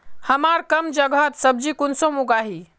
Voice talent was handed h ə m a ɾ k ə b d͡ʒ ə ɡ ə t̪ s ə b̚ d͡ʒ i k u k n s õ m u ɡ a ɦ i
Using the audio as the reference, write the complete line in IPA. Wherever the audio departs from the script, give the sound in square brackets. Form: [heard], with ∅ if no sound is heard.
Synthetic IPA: h ə m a ɾ k ə [m] d͡ʒ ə ɡ ə t̪ s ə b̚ d͡ʒ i k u [∅] n s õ m u ɡ a ɦ i